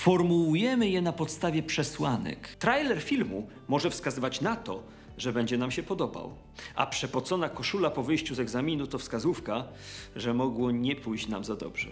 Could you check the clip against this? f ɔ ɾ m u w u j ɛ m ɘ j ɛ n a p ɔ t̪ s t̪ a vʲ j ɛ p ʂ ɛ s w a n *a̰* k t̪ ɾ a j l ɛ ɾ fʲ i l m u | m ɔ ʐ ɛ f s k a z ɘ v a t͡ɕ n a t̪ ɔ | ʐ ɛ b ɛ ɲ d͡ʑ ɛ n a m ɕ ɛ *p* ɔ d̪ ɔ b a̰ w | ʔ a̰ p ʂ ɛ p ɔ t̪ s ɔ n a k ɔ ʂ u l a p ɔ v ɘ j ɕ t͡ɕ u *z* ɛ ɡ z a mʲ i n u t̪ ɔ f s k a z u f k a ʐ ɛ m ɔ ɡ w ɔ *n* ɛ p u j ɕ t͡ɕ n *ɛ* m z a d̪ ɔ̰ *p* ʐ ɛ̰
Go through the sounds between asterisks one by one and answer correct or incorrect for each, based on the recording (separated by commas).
incorrect, correct, correct, incorrect, incorrect, incorrect